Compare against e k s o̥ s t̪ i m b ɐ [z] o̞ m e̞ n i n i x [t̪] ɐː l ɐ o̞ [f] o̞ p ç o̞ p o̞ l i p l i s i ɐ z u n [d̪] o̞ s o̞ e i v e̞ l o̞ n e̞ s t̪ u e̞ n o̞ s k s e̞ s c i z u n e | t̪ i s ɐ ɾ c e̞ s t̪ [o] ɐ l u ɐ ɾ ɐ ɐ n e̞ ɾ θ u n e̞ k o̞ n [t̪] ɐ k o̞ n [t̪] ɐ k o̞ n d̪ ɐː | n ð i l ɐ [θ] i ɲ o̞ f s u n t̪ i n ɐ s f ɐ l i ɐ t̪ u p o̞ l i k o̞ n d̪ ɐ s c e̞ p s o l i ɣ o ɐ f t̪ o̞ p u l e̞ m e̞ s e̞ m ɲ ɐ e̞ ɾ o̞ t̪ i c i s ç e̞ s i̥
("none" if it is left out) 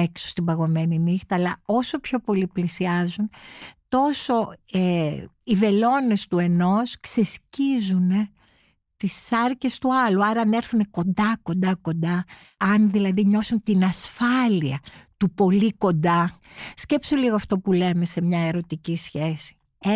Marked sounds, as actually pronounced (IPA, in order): ɣ, t̪, s, t̪, u, d̪, d̪, ð

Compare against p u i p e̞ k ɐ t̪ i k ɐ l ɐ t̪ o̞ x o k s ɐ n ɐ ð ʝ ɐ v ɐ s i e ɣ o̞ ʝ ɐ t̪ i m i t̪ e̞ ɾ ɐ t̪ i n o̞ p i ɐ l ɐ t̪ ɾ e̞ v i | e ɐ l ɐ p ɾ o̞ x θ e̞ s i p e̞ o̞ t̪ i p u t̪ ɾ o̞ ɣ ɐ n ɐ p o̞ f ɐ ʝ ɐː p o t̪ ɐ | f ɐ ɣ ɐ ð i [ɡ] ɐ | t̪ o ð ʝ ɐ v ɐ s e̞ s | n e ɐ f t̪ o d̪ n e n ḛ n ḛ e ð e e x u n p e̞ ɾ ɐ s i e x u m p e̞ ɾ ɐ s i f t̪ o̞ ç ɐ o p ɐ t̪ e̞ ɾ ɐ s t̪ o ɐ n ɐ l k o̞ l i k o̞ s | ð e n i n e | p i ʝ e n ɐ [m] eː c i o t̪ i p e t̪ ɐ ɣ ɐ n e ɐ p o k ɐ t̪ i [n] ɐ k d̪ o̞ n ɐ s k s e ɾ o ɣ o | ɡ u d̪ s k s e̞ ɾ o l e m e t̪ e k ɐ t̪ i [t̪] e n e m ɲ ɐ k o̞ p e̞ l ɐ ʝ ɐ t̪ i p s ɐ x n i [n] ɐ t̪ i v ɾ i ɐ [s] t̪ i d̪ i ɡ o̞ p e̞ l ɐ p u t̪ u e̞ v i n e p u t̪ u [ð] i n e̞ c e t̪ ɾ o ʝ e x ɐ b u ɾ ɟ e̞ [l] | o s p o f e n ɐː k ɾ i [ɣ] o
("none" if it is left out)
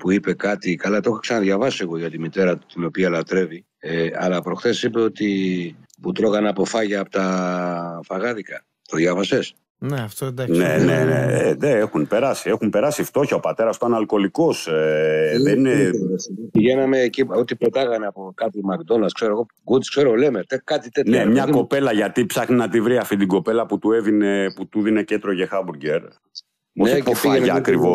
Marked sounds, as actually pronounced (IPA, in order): k, m, m, t̪, n, f, ð, ɾ, v

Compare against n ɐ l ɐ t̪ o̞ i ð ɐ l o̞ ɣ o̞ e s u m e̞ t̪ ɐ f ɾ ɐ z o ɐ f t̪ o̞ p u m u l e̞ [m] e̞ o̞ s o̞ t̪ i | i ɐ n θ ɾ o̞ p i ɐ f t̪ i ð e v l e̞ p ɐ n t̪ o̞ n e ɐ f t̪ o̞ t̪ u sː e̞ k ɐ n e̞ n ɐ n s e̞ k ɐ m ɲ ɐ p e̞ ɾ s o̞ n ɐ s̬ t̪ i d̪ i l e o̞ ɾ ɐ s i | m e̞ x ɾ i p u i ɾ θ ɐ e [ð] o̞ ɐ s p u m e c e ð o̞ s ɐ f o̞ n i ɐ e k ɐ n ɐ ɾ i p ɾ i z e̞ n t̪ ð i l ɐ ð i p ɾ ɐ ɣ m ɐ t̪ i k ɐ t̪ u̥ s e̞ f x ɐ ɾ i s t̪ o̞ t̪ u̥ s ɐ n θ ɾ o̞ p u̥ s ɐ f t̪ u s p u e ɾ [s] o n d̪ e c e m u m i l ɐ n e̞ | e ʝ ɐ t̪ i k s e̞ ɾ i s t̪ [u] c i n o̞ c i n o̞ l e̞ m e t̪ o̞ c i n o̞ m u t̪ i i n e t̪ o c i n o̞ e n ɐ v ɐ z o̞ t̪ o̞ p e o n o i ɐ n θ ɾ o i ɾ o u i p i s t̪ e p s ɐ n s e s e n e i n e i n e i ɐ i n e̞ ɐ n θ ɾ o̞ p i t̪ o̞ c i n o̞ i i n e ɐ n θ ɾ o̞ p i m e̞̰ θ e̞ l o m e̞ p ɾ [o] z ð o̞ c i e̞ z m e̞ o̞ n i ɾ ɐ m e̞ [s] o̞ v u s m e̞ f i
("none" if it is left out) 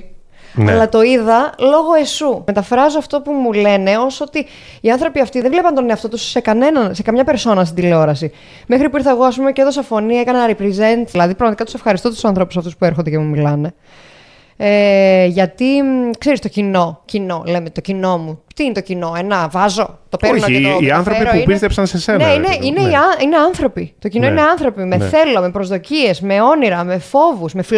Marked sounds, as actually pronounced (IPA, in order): n, ɣ, x, o, o, f

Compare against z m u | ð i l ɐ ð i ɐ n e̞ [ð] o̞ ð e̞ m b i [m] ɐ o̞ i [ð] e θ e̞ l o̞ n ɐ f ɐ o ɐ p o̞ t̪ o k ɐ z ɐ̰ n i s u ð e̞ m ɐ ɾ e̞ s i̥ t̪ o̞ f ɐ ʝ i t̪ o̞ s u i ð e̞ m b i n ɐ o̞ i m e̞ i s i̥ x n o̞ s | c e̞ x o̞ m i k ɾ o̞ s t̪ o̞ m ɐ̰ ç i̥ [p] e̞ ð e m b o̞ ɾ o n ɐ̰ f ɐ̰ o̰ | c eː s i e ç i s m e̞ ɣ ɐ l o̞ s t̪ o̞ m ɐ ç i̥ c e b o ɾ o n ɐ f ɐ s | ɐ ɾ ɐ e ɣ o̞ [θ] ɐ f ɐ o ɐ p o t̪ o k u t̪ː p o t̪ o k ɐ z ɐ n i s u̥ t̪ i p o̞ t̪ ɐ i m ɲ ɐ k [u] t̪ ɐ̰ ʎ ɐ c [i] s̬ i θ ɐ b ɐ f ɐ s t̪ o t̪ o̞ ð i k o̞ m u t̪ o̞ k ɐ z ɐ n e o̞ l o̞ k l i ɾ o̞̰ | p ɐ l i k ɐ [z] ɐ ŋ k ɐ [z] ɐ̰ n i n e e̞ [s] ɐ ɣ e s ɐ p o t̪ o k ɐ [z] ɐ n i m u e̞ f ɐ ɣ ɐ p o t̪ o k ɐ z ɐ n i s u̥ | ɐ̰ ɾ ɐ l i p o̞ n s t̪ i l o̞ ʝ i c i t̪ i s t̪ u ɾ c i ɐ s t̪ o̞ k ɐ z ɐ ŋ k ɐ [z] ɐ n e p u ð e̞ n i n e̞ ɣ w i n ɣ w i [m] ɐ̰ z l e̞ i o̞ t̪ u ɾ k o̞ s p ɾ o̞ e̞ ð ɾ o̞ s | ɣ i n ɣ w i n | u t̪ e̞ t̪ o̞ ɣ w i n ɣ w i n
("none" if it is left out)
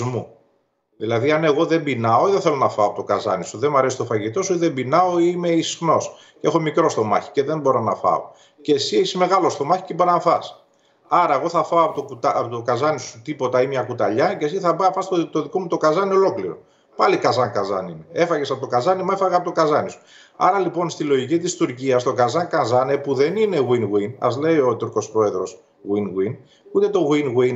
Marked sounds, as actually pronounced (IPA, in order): ɣ, n, ð, c, θ, u, e, z, z, f, z, z, n

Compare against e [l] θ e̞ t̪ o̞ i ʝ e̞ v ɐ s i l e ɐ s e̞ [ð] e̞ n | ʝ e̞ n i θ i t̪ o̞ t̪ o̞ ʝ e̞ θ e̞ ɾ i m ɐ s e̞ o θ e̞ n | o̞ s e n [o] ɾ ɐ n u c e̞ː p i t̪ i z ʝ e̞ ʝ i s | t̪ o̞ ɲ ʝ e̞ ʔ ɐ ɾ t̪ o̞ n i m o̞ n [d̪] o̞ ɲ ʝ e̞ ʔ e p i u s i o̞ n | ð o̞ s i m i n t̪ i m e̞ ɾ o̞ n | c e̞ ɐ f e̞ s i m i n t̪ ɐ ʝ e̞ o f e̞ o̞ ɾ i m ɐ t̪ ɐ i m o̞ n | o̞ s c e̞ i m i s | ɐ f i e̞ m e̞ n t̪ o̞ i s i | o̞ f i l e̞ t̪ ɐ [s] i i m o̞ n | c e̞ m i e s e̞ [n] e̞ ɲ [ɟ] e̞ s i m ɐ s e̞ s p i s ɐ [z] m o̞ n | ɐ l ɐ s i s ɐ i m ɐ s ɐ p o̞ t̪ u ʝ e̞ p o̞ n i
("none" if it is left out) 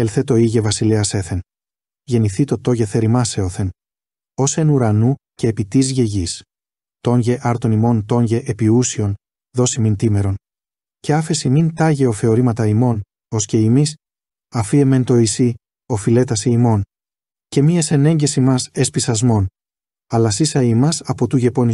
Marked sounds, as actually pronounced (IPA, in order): l, θ, u, t̪, s, n, ɟ, z

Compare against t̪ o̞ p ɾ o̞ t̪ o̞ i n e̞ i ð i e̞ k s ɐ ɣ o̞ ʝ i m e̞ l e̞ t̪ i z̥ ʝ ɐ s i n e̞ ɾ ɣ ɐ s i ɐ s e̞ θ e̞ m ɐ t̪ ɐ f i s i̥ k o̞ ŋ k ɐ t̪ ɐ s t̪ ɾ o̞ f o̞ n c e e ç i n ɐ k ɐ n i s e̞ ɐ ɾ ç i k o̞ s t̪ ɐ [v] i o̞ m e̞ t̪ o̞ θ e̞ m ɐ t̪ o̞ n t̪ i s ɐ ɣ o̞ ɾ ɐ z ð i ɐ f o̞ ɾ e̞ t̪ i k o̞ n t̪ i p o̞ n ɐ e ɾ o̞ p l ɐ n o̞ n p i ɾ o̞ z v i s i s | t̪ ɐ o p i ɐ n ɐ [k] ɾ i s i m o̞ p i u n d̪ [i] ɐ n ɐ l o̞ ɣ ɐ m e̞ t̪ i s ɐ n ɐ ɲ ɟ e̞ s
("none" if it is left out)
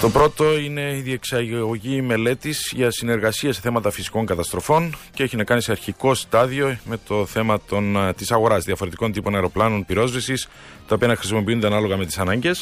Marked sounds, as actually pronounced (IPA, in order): ð, x, e

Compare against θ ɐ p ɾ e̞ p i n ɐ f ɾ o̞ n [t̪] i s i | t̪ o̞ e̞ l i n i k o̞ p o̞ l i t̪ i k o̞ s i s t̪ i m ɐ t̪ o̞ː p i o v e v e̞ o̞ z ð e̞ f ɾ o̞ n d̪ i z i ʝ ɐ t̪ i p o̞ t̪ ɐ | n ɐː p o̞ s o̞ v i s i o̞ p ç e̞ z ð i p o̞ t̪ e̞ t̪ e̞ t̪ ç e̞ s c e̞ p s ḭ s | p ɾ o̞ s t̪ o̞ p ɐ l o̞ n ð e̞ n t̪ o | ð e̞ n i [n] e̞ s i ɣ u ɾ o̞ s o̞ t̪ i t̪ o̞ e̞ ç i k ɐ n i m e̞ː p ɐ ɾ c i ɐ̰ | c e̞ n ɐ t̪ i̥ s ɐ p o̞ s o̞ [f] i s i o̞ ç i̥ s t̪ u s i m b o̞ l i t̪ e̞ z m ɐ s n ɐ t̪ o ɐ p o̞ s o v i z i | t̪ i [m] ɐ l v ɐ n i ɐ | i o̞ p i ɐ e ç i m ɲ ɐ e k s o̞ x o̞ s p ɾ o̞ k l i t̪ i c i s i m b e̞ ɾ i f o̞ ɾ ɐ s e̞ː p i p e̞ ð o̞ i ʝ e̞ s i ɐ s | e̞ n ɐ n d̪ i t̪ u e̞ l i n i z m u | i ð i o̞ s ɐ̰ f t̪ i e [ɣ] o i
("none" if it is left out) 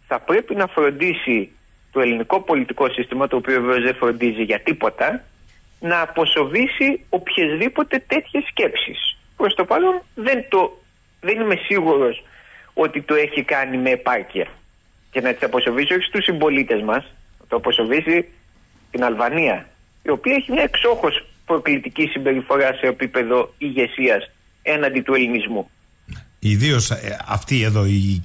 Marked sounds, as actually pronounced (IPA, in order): d̪, m, v, n, ð

